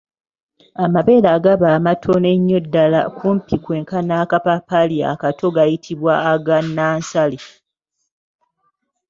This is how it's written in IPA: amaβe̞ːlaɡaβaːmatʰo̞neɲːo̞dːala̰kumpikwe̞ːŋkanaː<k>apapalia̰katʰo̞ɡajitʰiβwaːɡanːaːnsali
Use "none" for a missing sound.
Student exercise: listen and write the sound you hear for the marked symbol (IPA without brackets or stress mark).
k